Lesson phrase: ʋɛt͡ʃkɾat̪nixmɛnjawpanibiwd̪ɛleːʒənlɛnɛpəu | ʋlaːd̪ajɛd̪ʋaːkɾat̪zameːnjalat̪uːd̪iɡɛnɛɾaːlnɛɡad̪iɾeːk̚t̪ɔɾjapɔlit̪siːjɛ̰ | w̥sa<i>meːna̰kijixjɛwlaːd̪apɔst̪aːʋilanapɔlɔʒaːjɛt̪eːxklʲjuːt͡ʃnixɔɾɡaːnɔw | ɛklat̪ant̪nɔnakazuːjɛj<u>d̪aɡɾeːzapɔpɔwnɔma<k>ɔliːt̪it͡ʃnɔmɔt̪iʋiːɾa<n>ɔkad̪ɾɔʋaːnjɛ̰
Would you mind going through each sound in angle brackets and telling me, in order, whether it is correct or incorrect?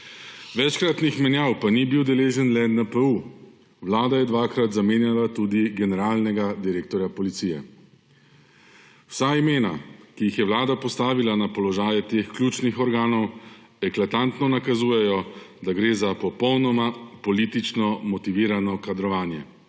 correct, incorrect: ɔ, incorrect: p, correct

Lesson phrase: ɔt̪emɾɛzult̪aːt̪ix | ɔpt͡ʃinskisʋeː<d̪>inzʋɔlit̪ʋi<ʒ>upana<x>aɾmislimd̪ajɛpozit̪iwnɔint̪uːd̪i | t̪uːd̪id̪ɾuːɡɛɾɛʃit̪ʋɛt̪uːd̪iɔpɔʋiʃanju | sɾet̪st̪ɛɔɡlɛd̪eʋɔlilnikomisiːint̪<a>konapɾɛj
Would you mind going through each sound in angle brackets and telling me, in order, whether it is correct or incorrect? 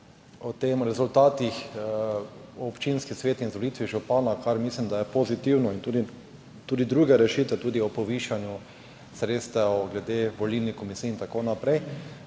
incorrect: t̪, correct, incorrect: k, correct

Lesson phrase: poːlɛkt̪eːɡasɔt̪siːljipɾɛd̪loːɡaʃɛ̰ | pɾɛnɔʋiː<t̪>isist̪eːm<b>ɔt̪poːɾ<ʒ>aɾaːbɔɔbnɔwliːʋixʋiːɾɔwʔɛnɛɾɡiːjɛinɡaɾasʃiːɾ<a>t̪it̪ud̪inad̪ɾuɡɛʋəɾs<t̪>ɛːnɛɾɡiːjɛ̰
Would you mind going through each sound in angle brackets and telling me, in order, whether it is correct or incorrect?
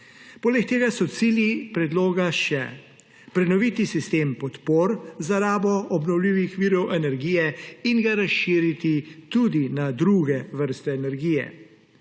correct, incorrect: p, incorrect: z, incorrect: i, correct

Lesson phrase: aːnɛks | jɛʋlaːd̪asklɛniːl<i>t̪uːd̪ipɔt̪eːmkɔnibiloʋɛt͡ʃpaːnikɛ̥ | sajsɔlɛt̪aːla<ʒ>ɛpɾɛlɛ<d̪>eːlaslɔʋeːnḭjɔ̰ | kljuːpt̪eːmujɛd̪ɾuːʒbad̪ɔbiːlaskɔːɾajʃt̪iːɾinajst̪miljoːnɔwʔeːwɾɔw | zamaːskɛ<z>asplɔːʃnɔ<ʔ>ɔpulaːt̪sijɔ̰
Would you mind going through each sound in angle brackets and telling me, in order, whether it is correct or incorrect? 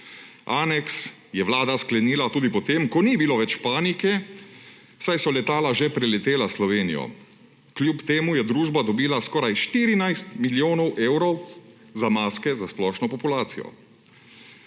incorrect: a, correct, incorrect: t̪, correct, incorrect: p

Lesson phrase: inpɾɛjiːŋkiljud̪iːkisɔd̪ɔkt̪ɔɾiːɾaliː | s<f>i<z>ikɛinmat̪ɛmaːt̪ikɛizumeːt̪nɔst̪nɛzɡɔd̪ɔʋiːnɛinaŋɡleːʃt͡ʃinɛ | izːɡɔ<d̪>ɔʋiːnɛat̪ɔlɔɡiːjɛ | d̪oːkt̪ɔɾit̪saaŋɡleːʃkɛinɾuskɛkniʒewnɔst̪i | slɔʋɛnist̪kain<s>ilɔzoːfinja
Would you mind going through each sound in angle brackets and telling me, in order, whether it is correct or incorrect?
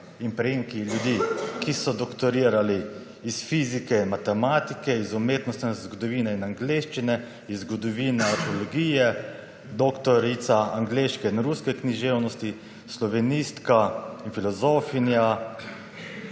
correct, correct, correct, incorrect: f

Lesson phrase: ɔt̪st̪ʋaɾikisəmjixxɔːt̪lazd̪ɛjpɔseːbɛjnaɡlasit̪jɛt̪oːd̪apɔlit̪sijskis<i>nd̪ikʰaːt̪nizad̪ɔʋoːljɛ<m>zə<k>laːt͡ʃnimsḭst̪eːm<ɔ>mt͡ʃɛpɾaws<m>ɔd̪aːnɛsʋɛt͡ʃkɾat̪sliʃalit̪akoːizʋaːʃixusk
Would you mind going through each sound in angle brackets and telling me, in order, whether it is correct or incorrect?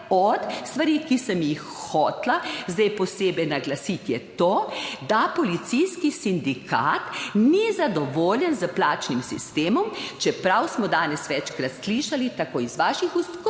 correct, incorrect: n, incorrect: p, correct, correct

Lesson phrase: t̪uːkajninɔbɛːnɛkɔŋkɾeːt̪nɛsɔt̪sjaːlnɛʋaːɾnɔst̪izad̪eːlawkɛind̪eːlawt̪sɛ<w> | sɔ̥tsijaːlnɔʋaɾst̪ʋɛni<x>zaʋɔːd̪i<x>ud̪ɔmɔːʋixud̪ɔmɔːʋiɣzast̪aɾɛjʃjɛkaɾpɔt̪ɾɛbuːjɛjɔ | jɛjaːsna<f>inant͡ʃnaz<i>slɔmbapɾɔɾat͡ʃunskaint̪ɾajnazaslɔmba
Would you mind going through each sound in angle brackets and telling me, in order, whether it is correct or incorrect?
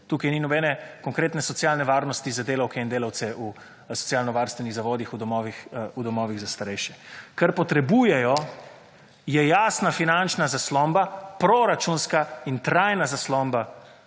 incorrect: u, incorrect: ɣ, correct, correct, incorrect: a

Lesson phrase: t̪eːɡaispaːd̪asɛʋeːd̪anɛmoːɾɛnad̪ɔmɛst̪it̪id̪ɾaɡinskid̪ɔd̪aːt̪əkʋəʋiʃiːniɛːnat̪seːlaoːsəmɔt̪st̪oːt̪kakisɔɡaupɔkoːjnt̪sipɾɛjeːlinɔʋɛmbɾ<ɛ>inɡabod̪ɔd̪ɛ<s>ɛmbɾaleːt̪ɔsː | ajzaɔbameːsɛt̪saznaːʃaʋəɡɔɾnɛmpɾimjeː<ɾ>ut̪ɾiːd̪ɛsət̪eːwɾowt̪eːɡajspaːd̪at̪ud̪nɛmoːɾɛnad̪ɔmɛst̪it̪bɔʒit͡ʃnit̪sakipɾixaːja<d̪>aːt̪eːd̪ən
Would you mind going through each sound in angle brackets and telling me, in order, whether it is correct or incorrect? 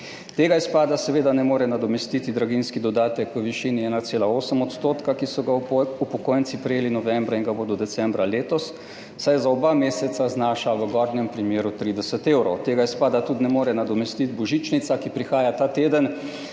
incorrect: a, correct, correct, incorrect: t̪

